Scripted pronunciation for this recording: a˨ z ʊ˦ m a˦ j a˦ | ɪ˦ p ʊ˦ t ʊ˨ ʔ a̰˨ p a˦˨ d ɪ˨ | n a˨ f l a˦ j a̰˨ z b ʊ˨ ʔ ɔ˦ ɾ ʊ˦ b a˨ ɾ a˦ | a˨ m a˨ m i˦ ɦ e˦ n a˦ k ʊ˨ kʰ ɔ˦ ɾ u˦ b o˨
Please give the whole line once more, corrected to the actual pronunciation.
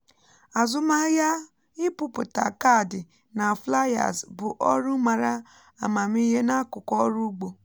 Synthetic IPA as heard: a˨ z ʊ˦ m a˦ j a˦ | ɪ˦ p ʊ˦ p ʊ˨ t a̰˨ k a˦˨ d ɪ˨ | n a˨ f l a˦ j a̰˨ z b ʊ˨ ʔ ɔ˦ ɾ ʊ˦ m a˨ ɾ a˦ | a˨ m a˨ m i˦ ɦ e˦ n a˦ k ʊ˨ k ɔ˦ ɾ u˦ ɡ͡b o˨